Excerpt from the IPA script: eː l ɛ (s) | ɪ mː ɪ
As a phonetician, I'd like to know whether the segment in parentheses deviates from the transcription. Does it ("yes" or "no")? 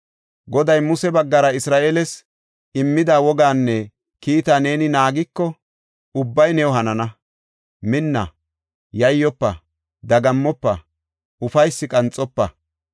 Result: no